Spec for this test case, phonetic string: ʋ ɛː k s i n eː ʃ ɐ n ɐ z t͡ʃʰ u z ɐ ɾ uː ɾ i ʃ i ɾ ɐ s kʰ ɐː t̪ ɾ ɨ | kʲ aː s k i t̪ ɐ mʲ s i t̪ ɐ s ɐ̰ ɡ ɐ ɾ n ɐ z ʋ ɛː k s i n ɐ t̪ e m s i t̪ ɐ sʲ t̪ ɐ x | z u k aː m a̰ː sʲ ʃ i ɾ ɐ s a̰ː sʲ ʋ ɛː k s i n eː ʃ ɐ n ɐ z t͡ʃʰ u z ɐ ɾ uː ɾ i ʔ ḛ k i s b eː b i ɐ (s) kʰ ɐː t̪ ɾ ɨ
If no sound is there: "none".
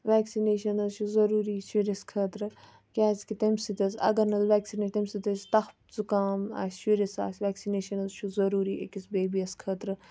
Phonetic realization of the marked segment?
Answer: s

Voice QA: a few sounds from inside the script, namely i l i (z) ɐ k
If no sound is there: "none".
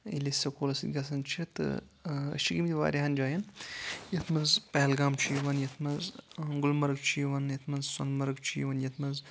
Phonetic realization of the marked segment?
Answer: s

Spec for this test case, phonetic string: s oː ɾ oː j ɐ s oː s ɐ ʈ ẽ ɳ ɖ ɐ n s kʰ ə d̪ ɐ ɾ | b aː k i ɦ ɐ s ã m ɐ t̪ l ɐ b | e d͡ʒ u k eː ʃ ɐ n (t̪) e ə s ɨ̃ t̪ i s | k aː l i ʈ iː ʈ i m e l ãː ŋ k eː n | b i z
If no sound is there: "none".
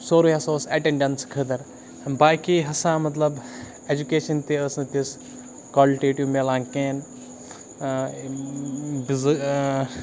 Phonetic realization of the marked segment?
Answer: t̪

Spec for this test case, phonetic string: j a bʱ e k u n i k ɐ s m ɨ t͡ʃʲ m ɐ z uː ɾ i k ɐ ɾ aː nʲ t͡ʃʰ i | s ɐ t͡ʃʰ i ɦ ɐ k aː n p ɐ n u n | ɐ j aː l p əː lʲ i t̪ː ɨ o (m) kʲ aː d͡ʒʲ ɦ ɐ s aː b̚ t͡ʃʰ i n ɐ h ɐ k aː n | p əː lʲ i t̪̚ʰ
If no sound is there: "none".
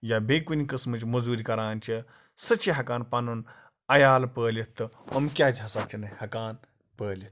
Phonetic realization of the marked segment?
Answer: m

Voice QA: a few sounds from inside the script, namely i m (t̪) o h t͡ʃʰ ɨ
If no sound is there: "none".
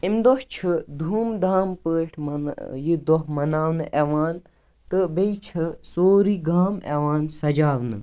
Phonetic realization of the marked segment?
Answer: d̪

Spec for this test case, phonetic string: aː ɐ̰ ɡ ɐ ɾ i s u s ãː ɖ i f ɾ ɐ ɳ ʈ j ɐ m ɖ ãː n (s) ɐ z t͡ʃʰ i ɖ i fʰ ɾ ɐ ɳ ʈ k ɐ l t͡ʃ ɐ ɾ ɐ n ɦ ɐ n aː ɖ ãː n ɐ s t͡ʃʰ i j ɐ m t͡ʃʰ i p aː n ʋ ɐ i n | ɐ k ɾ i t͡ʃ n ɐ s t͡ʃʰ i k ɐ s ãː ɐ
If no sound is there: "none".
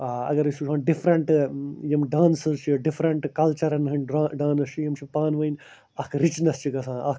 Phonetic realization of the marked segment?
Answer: s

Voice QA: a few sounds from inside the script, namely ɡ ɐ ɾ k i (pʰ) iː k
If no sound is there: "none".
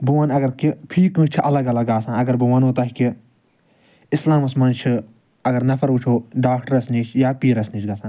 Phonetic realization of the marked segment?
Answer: pʰ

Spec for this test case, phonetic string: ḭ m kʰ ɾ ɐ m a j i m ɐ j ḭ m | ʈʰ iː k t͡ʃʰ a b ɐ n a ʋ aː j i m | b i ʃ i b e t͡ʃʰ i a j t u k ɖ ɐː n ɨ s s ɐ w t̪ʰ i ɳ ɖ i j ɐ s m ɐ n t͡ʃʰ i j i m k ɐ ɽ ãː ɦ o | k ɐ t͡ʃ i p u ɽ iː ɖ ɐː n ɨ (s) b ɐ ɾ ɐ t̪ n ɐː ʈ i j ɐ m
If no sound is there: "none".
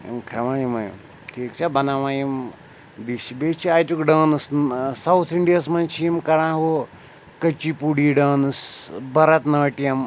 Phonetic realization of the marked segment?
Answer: s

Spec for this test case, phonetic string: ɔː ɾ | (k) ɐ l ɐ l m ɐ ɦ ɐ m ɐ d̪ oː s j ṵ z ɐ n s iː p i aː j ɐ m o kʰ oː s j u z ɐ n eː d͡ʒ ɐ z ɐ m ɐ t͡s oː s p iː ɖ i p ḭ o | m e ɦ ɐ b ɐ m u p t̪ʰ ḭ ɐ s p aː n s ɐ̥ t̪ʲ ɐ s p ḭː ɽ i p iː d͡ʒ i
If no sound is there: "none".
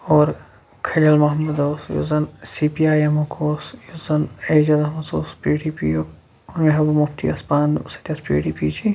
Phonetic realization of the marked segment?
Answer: kʰ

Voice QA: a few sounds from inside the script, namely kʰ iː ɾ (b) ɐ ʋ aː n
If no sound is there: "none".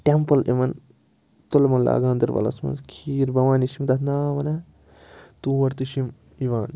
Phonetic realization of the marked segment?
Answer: b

